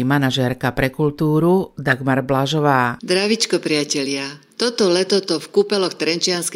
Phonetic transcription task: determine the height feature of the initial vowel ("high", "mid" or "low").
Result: low